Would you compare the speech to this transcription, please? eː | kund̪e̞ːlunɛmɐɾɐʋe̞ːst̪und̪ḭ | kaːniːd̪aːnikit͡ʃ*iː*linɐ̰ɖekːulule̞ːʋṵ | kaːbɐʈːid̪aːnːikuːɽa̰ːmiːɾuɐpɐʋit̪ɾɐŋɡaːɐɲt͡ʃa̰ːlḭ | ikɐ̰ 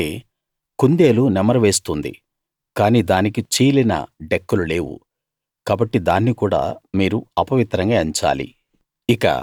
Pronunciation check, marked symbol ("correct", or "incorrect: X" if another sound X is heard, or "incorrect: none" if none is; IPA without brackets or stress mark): correct